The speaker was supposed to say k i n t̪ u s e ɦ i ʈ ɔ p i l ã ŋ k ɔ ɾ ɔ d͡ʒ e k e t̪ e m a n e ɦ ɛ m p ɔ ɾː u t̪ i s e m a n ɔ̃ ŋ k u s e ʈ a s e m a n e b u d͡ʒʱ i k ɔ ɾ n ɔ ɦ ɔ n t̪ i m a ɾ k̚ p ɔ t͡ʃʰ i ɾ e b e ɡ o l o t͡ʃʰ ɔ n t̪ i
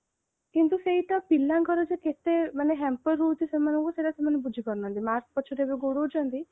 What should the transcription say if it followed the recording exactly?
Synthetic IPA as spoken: k i n t̪ u s e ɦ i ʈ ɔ p i l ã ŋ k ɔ ɾ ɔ d͡ʒ e k e t̪ e m a n e ɦ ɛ m p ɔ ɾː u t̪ i s e m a n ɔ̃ ŋ k u s e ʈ a s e m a n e b u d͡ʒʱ i k ɔ ɾ n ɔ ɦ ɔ n t̪ i m a ɾ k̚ p ɔ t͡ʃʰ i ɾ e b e ɡ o ɽ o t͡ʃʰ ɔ n t̪ i